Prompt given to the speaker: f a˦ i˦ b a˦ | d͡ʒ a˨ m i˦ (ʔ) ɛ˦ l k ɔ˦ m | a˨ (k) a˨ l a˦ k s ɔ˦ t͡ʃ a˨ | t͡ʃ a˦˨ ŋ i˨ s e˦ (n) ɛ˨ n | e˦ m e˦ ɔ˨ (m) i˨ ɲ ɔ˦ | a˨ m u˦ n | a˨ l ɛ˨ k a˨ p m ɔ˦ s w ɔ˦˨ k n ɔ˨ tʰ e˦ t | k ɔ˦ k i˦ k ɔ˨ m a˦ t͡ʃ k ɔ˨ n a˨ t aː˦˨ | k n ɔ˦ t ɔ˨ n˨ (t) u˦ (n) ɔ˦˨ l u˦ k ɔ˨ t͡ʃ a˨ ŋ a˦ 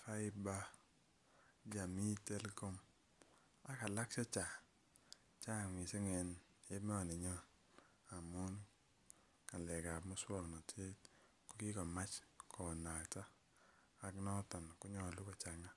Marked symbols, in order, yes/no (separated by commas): no, yes, no, no, no, no